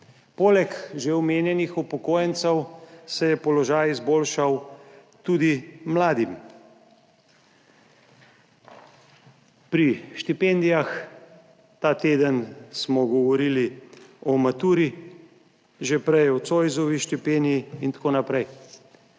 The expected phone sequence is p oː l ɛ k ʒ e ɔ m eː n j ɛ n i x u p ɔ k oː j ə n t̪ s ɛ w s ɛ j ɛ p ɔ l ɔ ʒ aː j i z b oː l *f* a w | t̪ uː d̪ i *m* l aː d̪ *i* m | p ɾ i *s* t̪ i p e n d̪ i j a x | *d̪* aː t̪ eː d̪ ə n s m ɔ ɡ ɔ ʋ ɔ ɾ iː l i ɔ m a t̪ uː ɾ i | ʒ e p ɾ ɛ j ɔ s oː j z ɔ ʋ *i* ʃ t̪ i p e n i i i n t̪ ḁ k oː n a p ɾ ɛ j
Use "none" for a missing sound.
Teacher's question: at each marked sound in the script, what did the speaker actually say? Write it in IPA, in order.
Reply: ʃ, m, i, ʃ, t̪, i

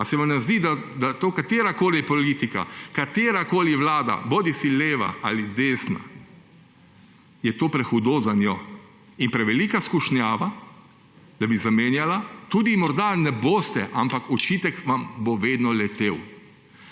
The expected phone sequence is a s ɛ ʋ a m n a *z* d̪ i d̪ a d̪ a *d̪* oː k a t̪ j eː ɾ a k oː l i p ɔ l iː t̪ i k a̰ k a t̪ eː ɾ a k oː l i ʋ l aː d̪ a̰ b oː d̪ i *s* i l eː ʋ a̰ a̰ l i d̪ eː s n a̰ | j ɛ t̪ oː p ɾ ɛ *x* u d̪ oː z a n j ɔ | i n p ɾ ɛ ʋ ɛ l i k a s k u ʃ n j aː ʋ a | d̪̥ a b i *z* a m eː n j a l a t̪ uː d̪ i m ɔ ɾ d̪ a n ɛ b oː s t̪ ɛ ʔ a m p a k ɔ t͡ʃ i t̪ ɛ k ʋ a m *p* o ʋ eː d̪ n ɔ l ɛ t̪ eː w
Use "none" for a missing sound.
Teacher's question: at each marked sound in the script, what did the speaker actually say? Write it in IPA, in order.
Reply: z, t̪, s, x, z, b

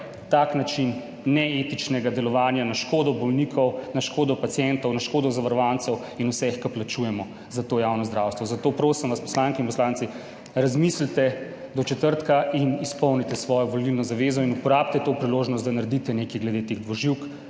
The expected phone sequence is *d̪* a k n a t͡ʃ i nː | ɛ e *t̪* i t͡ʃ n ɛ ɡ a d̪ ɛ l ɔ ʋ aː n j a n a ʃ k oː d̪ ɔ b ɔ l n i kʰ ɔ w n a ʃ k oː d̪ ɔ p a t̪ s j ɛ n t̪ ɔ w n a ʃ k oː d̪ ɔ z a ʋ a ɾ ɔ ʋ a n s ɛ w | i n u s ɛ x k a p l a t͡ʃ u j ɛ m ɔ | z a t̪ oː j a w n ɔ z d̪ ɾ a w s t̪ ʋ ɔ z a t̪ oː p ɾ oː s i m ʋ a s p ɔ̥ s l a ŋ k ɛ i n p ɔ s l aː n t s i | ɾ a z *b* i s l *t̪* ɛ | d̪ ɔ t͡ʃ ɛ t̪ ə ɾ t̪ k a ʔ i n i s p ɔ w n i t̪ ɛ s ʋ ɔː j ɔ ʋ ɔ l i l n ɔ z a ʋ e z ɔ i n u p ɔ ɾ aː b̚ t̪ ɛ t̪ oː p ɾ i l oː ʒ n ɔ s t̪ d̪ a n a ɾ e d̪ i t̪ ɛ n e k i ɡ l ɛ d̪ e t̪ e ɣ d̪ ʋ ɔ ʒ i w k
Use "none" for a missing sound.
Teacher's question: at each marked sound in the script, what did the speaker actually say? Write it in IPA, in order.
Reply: t̪, t̪, m, t̪

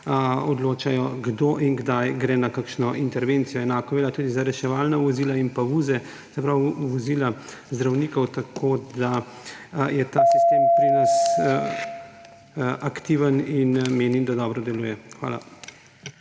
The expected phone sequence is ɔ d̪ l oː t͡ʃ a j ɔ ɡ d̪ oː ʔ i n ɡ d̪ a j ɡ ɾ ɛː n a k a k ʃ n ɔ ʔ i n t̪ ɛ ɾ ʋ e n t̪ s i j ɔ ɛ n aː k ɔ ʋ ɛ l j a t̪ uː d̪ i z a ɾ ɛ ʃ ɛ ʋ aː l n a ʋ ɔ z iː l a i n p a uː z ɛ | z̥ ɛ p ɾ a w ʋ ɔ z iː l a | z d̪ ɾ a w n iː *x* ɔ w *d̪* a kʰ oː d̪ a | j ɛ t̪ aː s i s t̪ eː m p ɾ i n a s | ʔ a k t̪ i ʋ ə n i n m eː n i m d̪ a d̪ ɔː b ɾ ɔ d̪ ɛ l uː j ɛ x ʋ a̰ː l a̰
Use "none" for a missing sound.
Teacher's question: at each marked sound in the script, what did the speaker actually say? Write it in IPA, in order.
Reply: k, t̪

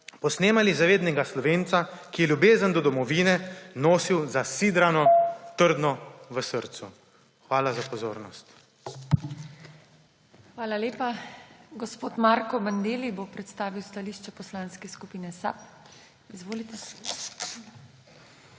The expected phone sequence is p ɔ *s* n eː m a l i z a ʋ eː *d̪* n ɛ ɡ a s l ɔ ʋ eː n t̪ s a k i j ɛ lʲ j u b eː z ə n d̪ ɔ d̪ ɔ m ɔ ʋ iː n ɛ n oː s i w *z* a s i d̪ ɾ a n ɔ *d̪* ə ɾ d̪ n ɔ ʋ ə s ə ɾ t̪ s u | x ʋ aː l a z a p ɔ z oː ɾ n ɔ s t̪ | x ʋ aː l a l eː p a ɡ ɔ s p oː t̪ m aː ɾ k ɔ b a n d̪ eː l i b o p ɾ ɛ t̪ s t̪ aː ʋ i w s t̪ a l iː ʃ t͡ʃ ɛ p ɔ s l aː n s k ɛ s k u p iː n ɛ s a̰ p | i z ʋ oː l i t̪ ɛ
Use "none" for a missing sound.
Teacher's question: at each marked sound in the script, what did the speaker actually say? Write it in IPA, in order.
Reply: s, d̪, z, t̪

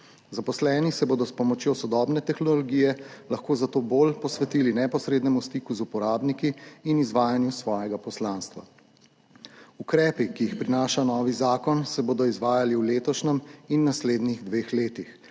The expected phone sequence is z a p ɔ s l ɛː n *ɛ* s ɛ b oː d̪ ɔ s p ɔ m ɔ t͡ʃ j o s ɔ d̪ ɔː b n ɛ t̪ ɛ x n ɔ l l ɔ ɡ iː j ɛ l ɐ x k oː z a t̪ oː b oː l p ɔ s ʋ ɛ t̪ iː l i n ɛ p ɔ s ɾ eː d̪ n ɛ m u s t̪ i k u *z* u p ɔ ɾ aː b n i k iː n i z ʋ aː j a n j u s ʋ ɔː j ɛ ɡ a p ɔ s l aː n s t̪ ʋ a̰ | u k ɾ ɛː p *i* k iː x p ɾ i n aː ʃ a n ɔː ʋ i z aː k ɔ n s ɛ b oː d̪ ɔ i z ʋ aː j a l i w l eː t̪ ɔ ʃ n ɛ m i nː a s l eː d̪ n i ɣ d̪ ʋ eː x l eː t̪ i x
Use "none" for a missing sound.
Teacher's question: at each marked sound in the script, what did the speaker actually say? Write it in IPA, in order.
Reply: i, z, i

